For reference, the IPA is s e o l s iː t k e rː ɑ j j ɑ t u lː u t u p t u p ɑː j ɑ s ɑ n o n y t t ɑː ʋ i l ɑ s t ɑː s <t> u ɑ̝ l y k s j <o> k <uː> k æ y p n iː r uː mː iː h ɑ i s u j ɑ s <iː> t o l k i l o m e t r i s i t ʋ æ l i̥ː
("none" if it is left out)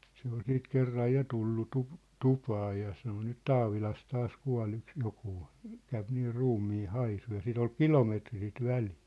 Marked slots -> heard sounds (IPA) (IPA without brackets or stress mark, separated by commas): k, o, uː, i